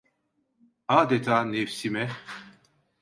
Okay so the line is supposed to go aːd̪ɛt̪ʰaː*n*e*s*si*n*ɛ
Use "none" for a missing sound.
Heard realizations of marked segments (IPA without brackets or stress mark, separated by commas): n, f, m